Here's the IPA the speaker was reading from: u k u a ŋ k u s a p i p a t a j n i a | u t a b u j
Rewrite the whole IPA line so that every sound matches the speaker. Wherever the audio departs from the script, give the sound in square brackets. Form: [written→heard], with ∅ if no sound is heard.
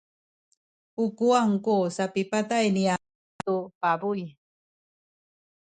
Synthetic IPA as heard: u k u a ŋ k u s a p i p a t a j n i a | u [t→p] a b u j